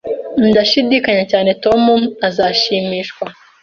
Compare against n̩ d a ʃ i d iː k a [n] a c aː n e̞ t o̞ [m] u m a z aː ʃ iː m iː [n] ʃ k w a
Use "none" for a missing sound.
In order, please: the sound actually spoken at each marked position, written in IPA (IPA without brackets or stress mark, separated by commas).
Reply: ɲ, m, none